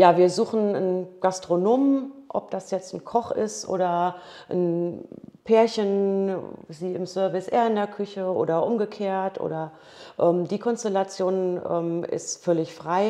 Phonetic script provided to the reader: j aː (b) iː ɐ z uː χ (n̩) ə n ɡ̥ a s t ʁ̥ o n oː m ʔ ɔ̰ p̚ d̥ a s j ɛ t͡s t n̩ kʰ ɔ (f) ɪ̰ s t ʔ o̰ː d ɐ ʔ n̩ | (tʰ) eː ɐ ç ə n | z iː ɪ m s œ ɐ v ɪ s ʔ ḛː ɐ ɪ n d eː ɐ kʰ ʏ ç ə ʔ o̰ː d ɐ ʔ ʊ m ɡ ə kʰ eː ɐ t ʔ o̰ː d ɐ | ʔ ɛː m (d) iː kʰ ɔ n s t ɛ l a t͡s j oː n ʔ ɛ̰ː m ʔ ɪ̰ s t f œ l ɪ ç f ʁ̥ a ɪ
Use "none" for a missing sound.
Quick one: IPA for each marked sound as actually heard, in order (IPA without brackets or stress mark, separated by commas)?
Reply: v, n̩, χ, pʰ, d